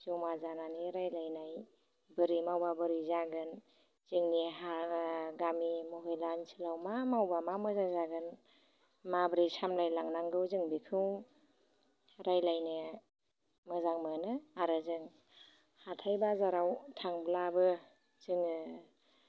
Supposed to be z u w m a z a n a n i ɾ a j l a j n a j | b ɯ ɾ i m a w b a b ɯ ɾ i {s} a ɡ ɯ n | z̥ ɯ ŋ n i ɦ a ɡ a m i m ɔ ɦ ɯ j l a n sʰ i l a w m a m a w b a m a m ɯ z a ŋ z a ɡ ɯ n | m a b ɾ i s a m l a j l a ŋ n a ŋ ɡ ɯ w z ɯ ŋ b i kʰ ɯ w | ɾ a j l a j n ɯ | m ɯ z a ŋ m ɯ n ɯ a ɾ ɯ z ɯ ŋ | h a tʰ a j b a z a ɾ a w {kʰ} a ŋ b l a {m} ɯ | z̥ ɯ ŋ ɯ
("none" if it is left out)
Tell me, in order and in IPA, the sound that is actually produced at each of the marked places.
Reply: z, tʰ, b

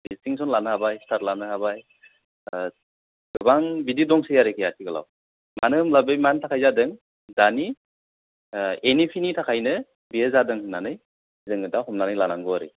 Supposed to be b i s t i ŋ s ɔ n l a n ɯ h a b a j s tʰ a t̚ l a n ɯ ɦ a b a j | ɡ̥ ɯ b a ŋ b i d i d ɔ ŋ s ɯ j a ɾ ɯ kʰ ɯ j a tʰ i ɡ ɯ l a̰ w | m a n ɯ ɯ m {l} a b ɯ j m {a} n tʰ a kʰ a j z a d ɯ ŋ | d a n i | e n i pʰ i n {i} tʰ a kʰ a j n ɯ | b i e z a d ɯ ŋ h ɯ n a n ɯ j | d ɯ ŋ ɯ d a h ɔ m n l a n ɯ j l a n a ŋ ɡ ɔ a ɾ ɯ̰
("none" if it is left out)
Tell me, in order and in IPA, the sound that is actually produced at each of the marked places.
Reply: l, a, i

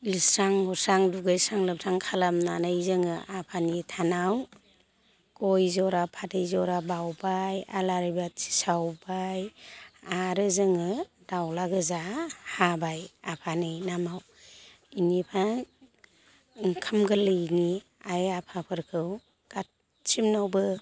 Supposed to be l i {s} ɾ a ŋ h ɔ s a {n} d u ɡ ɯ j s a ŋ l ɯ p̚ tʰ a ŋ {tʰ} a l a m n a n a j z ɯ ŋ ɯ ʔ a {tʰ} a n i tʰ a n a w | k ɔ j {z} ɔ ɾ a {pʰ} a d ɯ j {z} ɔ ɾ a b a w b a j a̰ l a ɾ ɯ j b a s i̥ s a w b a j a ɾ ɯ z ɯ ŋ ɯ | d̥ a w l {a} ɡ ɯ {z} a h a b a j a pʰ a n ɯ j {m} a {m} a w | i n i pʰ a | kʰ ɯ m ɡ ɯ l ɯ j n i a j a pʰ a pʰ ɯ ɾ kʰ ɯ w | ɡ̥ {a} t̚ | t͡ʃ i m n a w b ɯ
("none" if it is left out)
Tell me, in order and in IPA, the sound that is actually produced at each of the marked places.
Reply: s, ŋ, kʰ, pʰ, z, pʰ, z, a, z, n, m, a

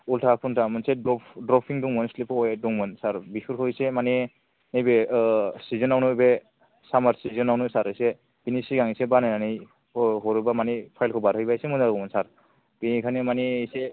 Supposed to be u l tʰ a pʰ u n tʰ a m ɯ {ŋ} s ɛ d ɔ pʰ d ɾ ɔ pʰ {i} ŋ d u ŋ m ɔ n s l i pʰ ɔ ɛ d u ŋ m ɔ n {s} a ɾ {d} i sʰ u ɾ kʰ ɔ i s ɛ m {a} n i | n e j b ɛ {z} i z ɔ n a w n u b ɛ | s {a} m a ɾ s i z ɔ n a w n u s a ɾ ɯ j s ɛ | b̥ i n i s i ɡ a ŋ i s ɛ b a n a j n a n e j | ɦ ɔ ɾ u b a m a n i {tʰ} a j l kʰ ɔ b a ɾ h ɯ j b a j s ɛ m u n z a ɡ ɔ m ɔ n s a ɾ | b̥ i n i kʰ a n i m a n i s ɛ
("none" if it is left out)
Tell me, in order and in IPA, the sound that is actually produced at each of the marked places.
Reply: n, i, s, b, a, s, a, pʰ

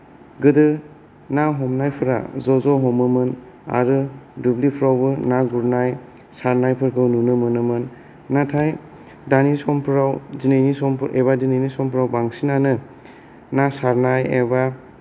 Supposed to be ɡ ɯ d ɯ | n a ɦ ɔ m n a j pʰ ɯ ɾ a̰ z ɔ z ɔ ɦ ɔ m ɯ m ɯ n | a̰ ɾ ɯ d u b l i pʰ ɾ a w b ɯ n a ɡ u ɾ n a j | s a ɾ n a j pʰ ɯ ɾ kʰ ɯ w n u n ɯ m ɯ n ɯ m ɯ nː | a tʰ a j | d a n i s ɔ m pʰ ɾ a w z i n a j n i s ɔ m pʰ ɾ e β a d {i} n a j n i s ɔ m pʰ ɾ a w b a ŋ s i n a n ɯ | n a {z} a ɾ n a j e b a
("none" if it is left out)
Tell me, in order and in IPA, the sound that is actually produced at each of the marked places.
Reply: i, s

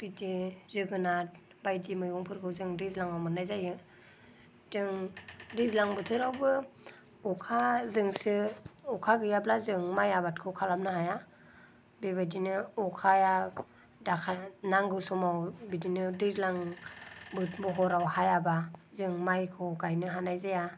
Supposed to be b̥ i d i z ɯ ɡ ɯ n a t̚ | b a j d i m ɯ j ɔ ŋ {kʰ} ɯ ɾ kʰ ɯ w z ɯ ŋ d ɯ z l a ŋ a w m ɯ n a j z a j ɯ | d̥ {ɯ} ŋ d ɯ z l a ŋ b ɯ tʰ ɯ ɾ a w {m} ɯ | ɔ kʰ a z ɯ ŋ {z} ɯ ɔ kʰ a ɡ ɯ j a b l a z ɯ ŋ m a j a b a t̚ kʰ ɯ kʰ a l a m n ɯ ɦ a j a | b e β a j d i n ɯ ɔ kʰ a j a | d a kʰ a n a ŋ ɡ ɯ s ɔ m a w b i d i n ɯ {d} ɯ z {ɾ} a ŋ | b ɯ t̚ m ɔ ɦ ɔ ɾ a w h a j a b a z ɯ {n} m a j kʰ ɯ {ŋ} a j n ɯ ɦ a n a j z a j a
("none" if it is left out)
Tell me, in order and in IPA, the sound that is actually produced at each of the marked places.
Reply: pʰ, ɯ, b, s, d, l, ŋ, ɡ

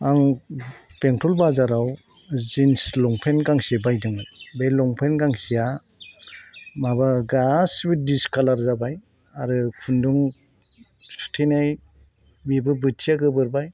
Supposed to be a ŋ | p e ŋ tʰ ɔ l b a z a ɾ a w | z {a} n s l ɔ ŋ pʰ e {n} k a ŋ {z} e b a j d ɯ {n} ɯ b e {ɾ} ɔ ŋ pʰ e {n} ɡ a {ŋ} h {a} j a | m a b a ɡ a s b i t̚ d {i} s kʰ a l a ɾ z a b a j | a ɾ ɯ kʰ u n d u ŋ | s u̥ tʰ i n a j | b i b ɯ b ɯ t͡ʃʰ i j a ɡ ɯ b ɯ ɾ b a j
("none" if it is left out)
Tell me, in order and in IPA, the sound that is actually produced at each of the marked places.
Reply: i, n, s, ŋ, l, n, ŋ, i, i

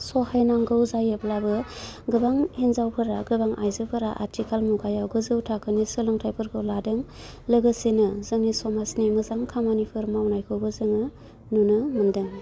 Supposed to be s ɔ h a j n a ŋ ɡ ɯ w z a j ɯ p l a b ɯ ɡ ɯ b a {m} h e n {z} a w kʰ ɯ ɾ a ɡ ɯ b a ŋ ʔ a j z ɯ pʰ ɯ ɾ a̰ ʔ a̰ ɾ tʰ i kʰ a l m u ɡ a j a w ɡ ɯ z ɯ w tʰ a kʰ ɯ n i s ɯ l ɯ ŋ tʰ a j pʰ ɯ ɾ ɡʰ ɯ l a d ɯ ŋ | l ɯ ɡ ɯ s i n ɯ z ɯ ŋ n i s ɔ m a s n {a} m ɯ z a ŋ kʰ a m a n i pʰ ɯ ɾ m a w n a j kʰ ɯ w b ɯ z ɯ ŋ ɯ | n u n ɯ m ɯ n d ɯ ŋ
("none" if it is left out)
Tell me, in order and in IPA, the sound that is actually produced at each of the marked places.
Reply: ŋ, z, i

